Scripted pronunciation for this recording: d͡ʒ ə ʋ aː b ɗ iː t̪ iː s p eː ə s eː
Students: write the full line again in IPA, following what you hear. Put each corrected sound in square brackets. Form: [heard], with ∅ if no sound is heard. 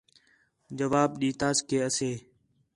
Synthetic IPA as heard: d͡ʒ ə ʋ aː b ɗ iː t̪ [aː] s [k] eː ə s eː

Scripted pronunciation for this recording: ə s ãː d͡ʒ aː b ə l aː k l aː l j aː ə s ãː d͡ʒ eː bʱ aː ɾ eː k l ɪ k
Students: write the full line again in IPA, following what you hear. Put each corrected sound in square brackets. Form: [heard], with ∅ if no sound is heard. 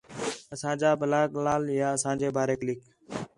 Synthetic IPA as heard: ə s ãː d͡ʒ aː b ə l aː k l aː l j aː ə s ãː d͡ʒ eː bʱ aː ɾ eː k l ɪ k

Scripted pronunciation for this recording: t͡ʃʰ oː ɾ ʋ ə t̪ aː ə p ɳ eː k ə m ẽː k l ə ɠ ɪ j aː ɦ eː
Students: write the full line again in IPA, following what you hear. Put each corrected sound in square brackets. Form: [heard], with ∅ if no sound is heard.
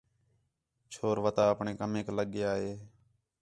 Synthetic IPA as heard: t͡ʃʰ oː ɾ ʋ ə t̪ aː ə p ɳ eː k ə m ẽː k l ə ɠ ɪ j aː ɦ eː

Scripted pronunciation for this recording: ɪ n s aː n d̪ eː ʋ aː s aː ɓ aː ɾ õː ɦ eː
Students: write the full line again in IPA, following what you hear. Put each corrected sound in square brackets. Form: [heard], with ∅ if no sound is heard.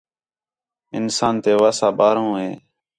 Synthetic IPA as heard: ɪ n s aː n [t̪] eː ʋ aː s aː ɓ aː ɾ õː ɦ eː

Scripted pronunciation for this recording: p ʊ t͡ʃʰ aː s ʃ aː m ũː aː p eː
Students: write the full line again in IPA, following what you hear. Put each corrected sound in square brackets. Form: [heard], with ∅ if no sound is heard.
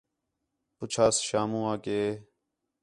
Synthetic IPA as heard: p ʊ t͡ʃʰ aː s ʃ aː m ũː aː [k] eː

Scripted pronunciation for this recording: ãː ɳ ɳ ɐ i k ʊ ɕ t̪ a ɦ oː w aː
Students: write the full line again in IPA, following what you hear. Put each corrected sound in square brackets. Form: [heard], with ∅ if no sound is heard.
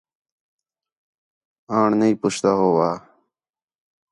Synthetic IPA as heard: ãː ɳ [n] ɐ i [p] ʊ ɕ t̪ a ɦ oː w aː

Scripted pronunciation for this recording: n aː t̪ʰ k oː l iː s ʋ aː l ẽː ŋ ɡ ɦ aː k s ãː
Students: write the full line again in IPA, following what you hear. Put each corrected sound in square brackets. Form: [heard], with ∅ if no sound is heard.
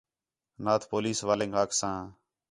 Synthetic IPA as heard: n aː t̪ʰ [p] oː l iː s ʋ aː l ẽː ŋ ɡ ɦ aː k s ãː

